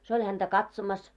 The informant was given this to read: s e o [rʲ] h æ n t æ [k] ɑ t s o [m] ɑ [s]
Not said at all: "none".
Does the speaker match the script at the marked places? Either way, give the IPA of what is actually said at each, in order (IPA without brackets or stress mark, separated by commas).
lʲ, k, m, s